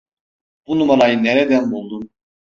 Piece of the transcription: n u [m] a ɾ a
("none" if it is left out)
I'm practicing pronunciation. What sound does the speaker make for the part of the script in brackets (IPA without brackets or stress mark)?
m